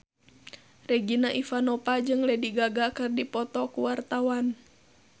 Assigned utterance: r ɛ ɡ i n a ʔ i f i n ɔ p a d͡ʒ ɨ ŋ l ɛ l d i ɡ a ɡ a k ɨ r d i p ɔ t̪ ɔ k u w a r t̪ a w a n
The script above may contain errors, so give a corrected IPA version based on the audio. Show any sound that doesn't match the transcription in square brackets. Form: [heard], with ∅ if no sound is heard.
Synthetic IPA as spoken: r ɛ ɡ i n a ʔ i f [a] n ɔ p a d͡ʒ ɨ ŋ l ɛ [∅] d i ɡ a ɡ a k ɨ r d i p ɔ t̪ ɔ k u w a r t̪ a w a n